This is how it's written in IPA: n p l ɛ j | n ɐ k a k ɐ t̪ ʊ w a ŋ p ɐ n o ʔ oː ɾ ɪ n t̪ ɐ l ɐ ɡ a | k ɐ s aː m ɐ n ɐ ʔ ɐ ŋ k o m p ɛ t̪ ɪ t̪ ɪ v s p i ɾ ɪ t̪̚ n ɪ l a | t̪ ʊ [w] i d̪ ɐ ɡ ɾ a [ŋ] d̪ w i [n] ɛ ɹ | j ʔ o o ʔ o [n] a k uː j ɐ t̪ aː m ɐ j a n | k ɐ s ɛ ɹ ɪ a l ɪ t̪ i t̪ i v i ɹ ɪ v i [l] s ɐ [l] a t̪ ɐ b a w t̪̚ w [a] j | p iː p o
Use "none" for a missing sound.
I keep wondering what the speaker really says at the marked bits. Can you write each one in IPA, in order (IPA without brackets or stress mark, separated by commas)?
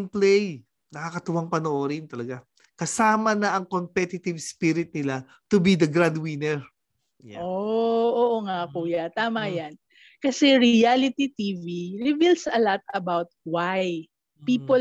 b, n, n, ŋ, l, l, a